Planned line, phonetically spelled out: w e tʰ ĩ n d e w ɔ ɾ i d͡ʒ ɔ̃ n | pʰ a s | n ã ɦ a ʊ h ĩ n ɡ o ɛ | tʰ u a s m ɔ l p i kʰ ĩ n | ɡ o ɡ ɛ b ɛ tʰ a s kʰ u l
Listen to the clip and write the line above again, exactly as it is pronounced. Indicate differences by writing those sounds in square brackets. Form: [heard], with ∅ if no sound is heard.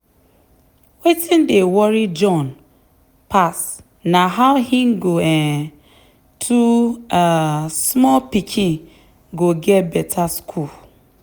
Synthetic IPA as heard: w e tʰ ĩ n d e w ɔ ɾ i d͡ʒ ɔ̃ n | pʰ a s | n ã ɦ a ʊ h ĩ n ɡ o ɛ | tʰ u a s m ɔ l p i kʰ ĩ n | ɡ o ɡ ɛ b ɛ tʰ a s kʰ u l